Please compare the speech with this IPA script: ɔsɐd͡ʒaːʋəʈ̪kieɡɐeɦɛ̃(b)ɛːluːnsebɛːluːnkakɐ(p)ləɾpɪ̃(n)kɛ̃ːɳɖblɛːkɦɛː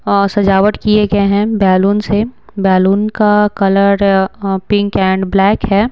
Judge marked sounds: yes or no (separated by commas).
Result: yes, no, no